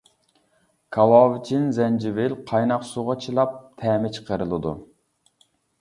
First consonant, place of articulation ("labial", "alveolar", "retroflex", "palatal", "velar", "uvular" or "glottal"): velar